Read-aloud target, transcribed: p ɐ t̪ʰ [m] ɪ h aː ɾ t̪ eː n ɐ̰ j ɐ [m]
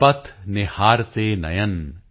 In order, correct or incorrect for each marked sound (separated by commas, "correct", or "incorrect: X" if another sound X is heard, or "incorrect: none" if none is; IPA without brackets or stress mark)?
incorrect: n, incorrect: n